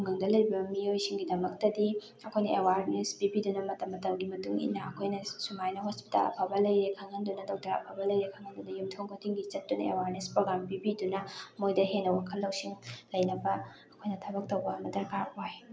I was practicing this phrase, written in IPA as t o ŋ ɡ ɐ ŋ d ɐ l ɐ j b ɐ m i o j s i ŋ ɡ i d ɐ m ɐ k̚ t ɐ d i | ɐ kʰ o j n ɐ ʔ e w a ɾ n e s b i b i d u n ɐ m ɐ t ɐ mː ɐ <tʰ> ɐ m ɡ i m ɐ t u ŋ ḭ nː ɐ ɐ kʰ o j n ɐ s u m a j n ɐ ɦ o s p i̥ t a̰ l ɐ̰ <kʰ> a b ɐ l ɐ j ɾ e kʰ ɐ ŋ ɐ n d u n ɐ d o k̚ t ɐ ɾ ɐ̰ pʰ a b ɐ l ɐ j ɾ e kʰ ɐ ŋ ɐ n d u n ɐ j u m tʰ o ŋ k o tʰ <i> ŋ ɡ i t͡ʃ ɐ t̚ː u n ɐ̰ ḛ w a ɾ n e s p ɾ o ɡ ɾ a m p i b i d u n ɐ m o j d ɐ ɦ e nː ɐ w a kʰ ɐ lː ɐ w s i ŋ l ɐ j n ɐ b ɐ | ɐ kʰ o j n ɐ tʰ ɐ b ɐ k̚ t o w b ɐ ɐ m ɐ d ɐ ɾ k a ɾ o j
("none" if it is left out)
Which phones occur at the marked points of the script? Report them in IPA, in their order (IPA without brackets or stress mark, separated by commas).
t, pʰ, i